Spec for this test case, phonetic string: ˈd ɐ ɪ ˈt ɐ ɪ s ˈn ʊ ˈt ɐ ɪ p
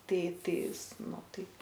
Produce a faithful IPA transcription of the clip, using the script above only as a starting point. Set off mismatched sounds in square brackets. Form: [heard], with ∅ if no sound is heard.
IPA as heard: [ˈt] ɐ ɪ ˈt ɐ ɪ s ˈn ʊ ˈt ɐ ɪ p

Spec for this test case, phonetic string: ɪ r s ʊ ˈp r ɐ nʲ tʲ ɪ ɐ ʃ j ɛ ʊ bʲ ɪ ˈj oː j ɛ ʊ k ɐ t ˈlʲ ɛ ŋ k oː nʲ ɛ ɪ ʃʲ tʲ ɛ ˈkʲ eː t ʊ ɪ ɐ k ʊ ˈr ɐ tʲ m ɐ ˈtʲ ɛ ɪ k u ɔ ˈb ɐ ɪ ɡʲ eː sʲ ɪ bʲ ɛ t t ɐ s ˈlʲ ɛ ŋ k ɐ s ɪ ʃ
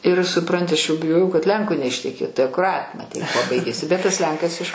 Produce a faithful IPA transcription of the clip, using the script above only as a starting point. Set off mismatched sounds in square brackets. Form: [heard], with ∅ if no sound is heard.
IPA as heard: ɪ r s ʊ ˈp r ɐ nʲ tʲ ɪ ɐ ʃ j ɛ ʊ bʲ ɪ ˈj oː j ɛ ʊ k ɐ t ˈlʲ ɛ ŋ k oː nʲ ɛ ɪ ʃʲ tʲ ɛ ˈkʲ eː t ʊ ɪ ɐ k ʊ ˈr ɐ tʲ m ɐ ˈtʲ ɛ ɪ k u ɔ ˈb ɐ ɪ ɡʲ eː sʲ ɪ bʲ ɛ t t ɐ s ˈlʲ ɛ ŋ k ɐ s ɪ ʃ

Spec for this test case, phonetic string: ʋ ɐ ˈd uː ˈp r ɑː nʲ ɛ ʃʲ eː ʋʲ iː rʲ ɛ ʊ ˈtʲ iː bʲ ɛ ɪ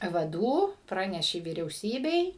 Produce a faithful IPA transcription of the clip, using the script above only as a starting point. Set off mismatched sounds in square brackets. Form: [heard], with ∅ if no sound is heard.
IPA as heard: ʋ ɐ ˈd uː ˈp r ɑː nʲ ɛ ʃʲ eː ʋʲ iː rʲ ɛ ʊ [ˈsʲ] iː bʲ ɛ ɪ

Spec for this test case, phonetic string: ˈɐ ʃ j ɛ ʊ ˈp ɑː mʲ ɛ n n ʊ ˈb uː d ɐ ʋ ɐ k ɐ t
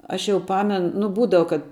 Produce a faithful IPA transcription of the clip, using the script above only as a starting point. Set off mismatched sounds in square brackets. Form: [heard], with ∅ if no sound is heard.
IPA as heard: ˈɐ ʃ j ɛ ʊ ˈp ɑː mʲ ɛ n n ʊ ˈb uː d ɐ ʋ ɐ k ɐ t

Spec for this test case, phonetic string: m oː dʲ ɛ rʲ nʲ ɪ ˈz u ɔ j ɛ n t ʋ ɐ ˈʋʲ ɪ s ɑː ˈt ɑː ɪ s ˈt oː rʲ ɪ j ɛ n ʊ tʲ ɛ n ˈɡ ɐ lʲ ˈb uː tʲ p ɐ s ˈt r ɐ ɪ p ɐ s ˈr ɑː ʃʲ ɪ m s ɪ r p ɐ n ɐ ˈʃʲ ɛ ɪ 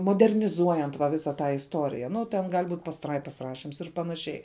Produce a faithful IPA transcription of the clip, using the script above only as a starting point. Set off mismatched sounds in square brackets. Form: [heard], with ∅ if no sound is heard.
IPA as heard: m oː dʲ ɛ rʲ nʲ ɪ ˈz u ɔ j ɛ n t ʋ ɐ ˈʋʲ ɪ s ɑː ˈt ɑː ɪ s ˈt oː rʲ ɪ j ɛ n ʊ tʲ ɛ n ˈɡ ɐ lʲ ˈb uː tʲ p ɐ s ˈt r ɐ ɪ p ɐ s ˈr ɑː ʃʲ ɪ m s ɪ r p ɐ n ɐ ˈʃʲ ɛ ɪ

